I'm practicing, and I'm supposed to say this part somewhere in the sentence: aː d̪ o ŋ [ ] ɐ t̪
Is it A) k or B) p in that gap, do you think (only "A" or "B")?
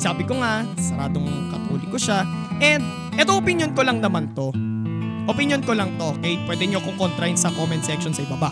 A